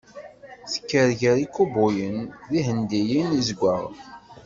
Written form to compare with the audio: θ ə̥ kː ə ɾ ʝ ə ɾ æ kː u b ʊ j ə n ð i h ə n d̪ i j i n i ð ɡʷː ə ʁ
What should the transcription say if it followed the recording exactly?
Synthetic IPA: θ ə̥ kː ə ɾ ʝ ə ɾ i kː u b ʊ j ə n ð i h ə n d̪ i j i n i z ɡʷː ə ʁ

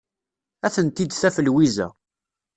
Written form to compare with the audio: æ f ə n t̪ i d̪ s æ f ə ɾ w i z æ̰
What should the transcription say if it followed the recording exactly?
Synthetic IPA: æ θ ə n t̪ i d̪ θ æ f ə l w i z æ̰

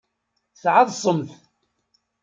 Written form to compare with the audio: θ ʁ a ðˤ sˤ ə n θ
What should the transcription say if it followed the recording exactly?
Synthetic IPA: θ ʕ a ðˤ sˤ ə m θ

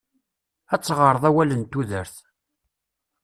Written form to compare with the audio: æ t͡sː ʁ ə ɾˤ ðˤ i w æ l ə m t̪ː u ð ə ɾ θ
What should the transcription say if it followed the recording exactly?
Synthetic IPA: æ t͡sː ʁ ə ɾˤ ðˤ æ w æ l ə n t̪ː u ð ə ɾ θ

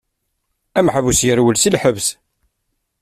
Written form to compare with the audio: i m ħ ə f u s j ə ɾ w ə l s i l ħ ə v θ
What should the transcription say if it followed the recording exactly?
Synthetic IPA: æ m ħ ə v u s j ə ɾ w ə l s i l ħ ə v s

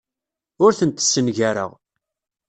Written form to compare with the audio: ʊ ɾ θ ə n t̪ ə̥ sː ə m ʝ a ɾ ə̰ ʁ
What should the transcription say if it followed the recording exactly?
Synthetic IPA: ʊ ɾ θ ə n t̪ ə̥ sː ə n ʝ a ɾ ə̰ ʁ

